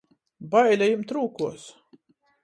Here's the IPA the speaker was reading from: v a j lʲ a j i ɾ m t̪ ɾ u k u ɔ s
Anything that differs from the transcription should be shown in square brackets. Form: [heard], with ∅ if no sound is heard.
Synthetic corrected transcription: [b] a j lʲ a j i [∅] m t̪ ɾ [uː] k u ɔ s